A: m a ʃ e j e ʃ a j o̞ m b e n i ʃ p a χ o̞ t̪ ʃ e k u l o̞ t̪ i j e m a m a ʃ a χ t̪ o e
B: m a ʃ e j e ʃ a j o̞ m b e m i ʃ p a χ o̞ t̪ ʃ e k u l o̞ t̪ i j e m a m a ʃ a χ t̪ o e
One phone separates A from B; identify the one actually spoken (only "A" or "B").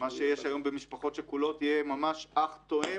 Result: B